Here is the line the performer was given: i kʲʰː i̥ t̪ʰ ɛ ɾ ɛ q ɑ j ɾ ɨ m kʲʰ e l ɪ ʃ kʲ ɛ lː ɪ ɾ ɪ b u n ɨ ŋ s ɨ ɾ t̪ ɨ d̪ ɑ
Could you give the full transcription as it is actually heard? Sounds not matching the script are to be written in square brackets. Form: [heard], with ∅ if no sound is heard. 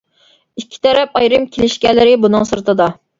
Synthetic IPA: i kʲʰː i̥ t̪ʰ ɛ ɾ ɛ [p] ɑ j ɾ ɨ m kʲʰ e l ɪ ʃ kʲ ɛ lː ɪ ɾ ɪ b u n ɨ ŋ s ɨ ɾ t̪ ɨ d̪ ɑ